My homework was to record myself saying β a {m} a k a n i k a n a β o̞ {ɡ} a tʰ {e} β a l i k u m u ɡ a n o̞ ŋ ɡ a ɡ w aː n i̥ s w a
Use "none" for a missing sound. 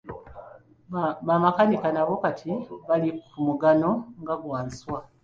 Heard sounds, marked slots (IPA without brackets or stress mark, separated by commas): m, k, i